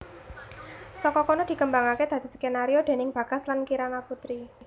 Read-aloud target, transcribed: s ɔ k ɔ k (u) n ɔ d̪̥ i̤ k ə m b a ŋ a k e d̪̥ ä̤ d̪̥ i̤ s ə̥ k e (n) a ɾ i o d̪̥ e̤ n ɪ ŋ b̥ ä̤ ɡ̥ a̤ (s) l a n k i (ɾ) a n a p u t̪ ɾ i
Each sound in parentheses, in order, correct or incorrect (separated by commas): incorrect, correct, correct, correct